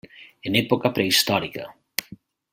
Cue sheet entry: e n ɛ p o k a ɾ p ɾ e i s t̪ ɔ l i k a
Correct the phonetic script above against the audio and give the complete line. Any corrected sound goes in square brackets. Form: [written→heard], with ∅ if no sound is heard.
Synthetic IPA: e n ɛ p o k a [ɾ→∅] p ɾ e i s t̪ ɔ [l→ɾ] i k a